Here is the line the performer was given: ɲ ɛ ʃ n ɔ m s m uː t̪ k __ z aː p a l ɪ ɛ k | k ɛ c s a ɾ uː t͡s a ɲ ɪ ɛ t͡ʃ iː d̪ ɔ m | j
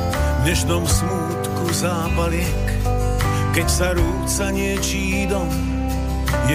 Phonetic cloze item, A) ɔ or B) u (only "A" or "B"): B